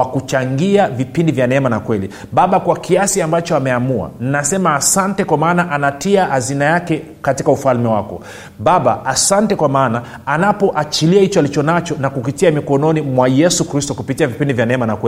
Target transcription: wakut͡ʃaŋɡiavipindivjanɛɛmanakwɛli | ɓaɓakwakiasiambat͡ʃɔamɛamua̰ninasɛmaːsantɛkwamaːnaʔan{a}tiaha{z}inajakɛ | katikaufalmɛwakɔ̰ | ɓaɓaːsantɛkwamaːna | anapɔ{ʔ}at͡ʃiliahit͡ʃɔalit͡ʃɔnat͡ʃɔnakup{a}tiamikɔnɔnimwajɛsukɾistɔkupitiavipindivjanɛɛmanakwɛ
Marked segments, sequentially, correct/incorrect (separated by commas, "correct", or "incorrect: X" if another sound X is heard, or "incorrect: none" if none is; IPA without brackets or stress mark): correct, correct, correct, incorrect: i